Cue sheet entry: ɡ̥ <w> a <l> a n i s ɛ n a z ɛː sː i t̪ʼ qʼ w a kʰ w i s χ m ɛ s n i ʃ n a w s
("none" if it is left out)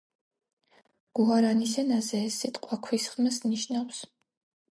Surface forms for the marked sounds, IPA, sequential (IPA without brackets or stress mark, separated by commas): u, ɾ